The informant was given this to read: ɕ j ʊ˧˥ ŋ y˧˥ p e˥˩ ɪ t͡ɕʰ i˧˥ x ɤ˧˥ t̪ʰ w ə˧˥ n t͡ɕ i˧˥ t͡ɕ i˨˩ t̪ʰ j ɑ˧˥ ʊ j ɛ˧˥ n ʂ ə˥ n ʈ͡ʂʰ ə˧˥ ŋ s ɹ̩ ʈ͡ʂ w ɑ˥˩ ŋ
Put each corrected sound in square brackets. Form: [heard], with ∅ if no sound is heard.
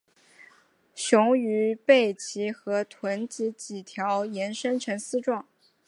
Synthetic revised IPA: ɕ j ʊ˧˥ ŋ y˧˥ p e˥˩ ɪ t͡ɕʰ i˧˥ x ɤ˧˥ t̪ʰ w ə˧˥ n t͡ɕ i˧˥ t͡ɕ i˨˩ t̪ʰ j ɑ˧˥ ʊ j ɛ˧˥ n ʂ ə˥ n ʈ͡ʂʰ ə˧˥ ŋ s ɹ̩ ʈ͡ʂ w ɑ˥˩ ŋ